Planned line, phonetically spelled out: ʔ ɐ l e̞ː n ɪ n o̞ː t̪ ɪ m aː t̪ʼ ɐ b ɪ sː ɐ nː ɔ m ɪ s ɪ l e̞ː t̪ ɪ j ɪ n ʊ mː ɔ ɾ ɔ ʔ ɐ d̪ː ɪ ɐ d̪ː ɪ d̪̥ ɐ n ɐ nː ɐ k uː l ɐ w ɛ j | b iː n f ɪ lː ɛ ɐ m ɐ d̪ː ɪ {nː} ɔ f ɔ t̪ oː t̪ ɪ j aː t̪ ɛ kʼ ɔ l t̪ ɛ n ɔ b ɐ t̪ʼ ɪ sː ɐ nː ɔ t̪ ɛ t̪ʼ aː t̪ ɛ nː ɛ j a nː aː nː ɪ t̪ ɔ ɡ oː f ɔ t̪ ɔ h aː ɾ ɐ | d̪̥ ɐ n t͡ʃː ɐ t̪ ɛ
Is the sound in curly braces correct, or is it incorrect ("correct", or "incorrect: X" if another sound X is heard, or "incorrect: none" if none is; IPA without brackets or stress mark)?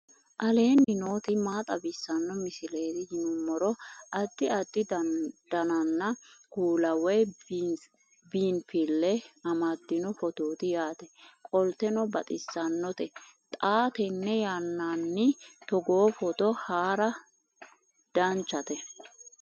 incorrect: n